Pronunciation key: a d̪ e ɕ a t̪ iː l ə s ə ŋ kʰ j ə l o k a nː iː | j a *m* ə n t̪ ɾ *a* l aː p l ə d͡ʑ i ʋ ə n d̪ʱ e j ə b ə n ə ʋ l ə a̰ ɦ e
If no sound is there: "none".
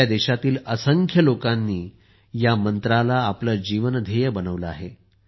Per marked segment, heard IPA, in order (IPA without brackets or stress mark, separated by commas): m, a